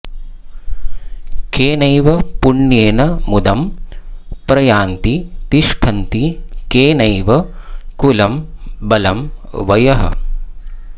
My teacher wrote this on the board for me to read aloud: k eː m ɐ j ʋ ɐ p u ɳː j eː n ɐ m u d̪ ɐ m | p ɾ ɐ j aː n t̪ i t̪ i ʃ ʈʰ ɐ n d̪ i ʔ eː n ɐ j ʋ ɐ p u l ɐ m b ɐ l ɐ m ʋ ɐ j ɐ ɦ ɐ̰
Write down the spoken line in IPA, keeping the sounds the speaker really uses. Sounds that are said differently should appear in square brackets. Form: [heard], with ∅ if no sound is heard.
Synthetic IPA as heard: k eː [n] ɐ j ʋ ɐ p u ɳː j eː n ɐ m u d̪ ɐ m | p ɾ ɐ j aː n t̪ i t̪ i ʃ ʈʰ ɐ n [t̪] i [k] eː n ɐ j ʋ ɐ [k] u l ɐ m b ɐ l ɐ m ʋ ɐ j ɐ ɦ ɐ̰